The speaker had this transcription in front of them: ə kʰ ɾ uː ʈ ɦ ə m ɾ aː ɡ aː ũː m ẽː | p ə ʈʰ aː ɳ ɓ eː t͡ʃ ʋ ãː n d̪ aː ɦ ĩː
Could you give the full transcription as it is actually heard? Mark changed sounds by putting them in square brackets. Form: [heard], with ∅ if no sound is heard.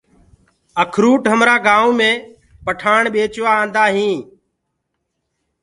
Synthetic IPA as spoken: ə kʰ ɾ uː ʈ ɦ ə m ɾ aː ɡ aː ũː m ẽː | p ə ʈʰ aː ɳ ɓ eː t͡ʃ ʋ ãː n d̪ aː ɦ ĩː